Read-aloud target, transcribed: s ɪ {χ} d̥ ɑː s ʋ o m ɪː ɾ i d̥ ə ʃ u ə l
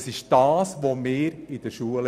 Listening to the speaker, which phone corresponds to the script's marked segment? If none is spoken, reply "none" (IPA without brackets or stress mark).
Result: ʃ